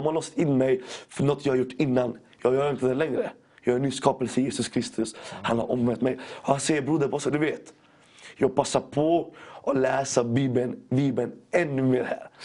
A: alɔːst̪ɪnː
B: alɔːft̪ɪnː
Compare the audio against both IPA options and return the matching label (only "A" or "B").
A